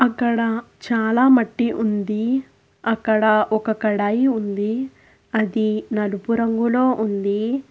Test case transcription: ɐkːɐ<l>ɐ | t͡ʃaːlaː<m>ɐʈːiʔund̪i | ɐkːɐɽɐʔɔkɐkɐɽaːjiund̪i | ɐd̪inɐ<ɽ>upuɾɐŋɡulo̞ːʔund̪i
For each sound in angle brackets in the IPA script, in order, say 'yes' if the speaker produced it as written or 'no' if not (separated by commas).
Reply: no, yes, no